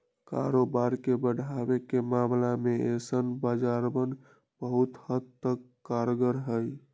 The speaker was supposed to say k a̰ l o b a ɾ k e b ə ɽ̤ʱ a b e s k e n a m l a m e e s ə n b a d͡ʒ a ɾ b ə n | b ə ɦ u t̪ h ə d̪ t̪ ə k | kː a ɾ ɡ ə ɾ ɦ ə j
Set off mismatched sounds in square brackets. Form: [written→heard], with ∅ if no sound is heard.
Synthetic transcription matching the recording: k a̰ [l→ɾ] o b a ɾ k e b ə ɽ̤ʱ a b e [s→∅] k e [n→m] a m l a m e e s ə n b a d͡ʒ a ɾ b ə n | b ə ɦ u t̪ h ə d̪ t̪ ə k | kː a ɾ ɡ ə ɾ ɦ ə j